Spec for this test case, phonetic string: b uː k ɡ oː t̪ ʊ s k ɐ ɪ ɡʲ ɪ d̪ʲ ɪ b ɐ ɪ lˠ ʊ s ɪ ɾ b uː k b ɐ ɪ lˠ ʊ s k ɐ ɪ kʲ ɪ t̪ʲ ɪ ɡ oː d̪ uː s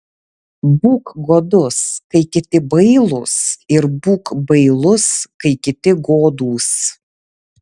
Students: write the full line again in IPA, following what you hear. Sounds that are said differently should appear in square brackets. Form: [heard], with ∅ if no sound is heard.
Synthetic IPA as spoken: b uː k ɡ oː [d̪] ʊ s k ɐ ɪ [kʲ] ɪ [t̪ʲ] ɪ b ɐ ɪ lˠ ʊ s ɪ ɾ b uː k b ɐ ɪ lˠ ʊ s k ɐ ɪ kʲ ɪ t̪ʲ ɪ ɡ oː d̪ uː s

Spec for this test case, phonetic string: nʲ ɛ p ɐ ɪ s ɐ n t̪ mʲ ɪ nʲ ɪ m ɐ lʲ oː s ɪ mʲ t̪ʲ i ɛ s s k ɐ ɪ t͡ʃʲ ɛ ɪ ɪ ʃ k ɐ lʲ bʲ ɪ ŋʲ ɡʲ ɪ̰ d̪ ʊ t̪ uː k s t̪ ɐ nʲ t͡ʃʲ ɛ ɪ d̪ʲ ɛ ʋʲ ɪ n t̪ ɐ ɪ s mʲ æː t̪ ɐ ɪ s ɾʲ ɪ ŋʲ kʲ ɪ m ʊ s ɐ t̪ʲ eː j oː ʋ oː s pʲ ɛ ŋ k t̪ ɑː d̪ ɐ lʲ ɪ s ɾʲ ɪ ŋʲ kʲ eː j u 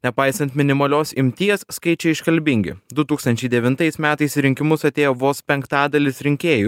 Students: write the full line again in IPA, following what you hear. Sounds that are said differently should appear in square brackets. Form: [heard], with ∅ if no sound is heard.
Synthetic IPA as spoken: nʲ ɛ p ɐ ɪ s ɐ n t̪ mʲ ɪ nʲ ɪ m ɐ lʲ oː s ɪ mʲ t̪ʲ i ɛ s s k ɐ ɪ t͡ʃʲ ɛ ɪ ɪ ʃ k ɐ lʲ bʲ ɪ ŋʲ ɡʲ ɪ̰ d̪ ʊ t̪ uː k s t̪ ɐ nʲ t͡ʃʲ ɛ ɪ d̪ʲ ɛ ʋʲ ɪ n t̪ ɐ ɪ s mʲ æː t̪ ɐ ɪ s ɾʲ ɪ ŋʲ kʲ ɪ m ʊ s ɐ t̪ʲ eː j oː ʋ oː s pʲ ɛ ŋ k t̪ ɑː d̪ ɐ lʲ ɪ s ɾʲ ɪ ŋʲ kʲ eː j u

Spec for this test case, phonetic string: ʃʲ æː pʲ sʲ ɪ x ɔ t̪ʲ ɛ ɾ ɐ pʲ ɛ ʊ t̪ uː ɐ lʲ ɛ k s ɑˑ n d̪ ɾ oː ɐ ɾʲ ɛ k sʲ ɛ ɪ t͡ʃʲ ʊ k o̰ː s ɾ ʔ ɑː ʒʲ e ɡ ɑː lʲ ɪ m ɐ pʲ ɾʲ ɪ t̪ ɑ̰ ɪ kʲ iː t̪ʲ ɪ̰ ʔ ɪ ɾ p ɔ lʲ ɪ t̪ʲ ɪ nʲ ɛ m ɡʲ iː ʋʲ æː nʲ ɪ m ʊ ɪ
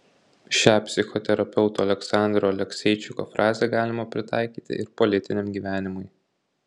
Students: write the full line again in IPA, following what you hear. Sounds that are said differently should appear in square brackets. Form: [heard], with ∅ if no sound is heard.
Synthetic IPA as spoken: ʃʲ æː pʲ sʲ ɪ x ɔ t̪ʲ ɛ ɾ ɐ pʲ ɛ ʊ t̪ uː ɐ lʲ ɛ k s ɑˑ n d̪ ɾ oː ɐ [lʲ] ɛ k sʲ ɛ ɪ t͡ʃʲ ʊ k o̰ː [f] ɾ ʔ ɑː [zʲ] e ɡ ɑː lʲ ɪ m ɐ pʲ ɾʲ ɪ t̪ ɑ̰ ɪ kʲ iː t̪ʲ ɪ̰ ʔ ɪ ɾ p ɔ lʲ ɪ t̪ʲ ɪ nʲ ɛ m ɡʲ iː ʋʲ æː nʲ ɪ m ʊ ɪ

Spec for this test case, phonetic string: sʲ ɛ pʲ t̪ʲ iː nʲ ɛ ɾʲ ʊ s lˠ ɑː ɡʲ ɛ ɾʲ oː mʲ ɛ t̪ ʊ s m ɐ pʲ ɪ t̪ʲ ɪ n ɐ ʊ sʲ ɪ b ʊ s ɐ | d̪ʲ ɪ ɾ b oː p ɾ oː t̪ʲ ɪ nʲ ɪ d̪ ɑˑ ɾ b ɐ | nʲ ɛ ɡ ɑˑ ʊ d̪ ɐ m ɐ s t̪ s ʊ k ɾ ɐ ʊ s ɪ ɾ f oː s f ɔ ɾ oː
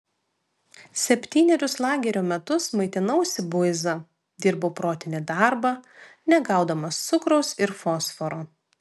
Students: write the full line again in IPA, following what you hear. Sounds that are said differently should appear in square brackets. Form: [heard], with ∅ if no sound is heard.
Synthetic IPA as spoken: sʲ ɛ pʲ t̪ʲ iː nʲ ɛ ɾʲ ʊ s lˠ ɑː ɡʲ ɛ ɾʲ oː mʲ ɛ t̪ ʊ s m ɐ [∅] ɪ t̪ʲ ɪ n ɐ ʊ sʲ ɪ b ʊ [z] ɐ | d̪ʲ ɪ ɾ b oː p ɾ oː t̪ʲ ɪ nʲ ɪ d̪ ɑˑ ɾ b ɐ | nʲ ɛ ɡ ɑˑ ʊ d̪ ɐ m ɐ s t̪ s ʊ k ɾ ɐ ʊ s ɪ ɾ f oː s f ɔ ɾ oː

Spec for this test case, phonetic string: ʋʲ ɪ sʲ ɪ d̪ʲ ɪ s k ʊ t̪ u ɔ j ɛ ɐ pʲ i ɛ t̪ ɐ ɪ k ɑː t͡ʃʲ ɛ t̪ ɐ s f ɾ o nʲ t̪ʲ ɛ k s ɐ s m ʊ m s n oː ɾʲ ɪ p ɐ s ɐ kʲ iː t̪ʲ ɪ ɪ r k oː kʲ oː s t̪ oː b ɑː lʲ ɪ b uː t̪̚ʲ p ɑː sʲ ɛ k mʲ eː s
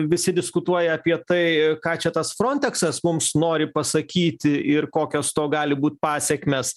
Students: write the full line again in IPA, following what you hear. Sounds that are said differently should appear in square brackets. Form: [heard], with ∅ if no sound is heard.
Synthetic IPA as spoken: ʋʲ ɪ sʲ ɪ d̪ʲ ɪ s k ʊ t̪ u ɔ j ɛ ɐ pʲ i ɛ t̪ ɐ ɪ k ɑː t͡ʃʲ ɛ t̪ ɐ s f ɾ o nʲ t̪ʲ ɛ k s ɐ s m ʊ m s n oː ɾʲ ɪ p ɐ s ɐ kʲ iː t̪ʲ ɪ ɪ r k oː kʲ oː s t̪ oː [ɡ] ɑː lʲ ɪ b uː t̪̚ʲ p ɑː sʲ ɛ k mʲ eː s

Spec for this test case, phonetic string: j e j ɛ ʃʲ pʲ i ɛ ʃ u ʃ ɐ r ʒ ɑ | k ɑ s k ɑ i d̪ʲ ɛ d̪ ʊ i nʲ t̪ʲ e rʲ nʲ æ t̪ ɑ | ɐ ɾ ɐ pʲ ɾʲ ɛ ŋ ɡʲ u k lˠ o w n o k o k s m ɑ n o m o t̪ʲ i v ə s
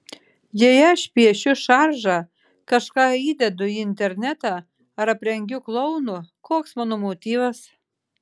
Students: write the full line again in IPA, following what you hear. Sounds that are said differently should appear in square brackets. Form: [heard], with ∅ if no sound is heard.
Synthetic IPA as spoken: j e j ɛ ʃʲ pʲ i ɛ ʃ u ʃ [ɑ] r ʒ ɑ | k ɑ [ʃ] k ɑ i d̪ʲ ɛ d̪ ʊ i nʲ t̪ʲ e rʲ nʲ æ t̪ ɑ | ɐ ɾ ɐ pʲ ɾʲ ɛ ŋ ɡʲ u k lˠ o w n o k o k s m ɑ n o m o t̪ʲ i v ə s

